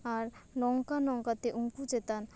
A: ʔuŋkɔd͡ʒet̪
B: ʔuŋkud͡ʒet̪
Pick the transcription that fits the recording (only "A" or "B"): B